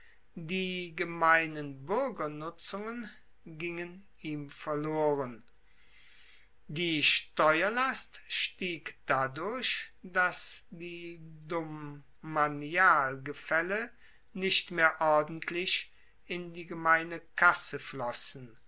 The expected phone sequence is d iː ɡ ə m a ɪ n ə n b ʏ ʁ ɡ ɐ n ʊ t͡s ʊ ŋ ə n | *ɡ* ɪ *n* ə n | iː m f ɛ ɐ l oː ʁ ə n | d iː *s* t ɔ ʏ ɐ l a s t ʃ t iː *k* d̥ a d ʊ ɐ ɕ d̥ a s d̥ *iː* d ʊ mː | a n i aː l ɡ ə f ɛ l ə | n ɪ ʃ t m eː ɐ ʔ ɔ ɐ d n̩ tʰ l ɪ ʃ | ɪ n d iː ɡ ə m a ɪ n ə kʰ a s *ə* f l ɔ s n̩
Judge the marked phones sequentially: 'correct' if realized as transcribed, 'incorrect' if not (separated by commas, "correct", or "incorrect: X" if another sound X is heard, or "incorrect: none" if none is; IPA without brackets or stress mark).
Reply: correct, incorrect: ŋ, incorrect: ʃ, correct, correct, correct